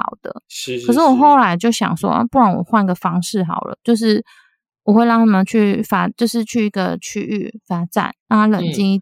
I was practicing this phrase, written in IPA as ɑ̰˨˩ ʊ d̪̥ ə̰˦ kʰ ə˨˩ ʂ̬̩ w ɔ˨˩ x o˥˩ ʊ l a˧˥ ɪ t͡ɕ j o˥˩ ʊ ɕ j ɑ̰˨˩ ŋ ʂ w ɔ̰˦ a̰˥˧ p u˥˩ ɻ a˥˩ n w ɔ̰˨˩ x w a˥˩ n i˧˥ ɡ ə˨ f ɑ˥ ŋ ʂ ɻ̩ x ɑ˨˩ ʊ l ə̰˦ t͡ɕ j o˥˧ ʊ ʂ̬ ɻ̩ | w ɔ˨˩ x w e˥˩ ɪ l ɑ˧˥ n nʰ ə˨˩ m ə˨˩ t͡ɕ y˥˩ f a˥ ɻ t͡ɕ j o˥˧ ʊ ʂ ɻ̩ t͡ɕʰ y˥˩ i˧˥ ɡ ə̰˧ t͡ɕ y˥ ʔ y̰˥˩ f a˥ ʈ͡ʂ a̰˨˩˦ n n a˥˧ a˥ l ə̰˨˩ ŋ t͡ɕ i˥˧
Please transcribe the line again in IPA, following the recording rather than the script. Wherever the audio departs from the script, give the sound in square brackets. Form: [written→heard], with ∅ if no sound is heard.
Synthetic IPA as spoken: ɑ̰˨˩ ʊ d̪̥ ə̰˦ kʰ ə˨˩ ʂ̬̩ w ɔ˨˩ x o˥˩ ʊ l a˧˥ ɪ t͡ɕ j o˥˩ ʊ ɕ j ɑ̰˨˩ ŋ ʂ w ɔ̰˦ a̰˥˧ p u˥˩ ɻ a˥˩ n w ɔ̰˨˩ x w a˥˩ n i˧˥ ɡ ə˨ f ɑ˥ ŋ ʂ ɻ̩ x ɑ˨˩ ʊ l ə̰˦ t͡ɕ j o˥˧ ʊ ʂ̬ ɻ̩ | w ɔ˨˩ x w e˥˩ ɪ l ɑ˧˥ [n→ŋ] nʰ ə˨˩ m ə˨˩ [t͡ɕ→t͡ɕʰ] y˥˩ f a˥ [ɻ→∅] t͡ɕ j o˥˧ ʊ ʂ ɻ̩ t͡ɕʰ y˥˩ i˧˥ ɡ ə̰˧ [t͡ɕ→t͡ɕʰ] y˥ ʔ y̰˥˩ f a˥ ʈ͡ʂ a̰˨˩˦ n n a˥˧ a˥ l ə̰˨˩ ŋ t͡ɕ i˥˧